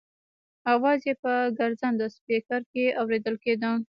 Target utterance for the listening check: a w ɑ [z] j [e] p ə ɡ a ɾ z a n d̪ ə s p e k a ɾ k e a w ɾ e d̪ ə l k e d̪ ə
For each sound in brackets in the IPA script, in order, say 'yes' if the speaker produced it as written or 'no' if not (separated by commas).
yes, yes